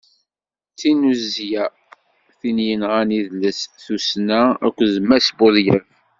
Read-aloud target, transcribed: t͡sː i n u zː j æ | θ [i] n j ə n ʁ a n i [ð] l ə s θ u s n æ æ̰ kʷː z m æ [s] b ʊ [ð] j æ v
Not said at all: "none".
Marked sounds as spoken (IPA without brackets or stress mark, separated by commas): i, ð, s, ð